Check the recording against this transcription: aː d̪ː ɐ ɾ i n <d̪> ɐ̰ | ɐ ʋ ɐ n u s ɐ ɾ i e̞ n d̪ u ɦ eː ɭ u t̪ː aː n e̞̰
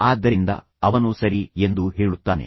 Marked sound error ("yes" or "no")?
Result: no